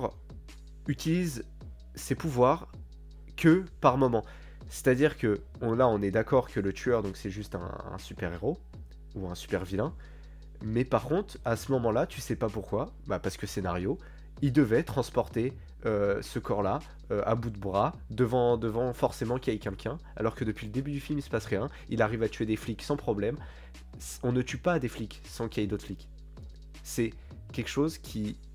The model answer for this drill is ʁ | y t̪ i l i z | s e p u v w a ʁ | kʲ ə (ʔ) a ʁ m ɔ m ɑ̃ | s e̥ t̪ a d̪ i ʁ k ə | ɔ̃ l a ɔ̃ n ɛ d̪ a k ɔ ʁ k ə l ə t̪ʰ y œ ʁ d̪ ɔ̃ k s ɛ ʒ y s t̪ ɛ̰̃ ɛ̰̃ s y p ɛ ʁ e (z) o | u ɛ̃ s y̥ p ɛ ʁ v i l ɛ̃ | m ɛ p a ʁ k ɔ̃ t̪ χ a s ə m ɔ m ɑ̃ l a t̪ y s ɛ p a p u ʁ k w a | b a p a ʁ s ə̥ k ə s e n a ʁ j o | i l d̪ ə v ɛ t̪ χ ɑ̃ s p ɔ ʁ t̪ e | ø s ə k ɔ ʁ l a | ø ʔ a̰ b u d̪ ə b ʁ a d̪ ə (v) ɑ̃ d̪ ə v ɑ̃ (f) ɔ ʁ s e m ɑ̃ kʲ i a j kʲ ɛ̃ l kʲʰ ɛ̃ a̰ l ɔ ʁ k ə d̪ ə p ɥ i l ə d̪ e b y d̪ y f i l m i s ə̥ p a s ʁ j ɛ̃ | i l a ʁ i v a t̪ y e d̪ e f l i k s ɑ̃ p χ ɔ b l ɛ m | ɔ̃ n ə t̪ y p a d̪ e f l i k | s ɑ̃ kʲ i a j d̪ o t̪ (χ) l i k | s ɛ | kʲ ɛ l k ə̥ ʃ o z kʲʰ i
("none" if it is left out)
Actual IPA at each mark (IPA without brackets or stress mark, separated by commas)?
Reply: p, ʁ, v, f, f